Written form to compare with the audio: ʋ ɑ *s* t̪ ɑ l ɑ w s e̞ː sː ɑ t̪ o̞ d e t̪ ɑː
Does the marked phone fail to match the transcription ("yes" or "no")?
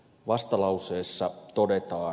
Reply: no